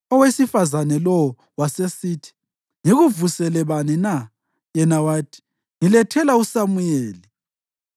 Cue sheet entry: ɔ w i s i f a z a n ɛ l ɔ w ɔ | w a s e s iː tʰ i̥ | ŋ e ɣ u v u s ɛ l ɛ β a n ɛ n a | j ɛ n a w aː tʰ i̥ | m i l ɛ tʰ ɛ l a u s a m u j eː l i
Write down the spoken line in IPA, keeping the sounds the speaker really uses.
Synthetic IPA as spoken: ɔ w e s i f a z a n ɛ l ɔ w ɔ | w a s e s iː tʰ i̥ | ŋ e ɣ u v u s ɛ l ɛ β a n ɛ n a | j ɛ n a w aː tʰ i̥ | ŋ i l ɛ tʰ ɛ l a u s a m u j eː l i